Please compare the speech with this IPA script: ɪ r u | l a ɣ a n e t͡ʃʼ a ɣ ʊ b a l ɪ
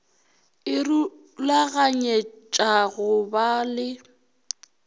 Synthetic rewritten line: ɪ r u | l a ɣ a ɲ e t͡ʃʼ a ɣ ʊ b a l ɪ